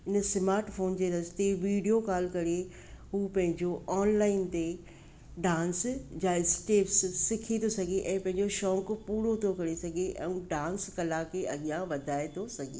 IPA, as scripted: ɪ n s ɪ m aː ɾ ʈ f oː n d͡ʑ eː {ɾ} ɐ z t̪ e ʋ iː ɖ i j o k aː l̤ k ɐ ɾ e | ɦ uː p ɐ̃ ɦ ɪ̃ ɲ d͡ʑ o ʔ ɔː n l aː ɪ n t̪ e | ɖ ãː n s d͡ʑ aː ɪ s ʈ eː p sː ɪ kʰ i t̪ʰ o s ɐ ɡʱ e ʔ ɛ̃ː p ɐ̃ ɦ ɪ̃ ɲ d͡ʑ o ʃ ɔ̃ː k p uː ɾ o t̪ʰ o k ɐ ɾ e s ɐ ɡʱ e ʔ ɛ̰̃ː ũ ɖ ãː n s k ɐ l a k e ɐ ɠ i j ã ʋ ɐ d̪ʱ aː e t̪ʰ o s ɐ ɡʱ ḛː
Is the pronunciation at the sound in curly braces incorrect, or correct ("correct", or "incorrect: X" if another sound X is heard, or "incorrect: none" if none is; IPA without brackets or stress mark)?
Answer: correct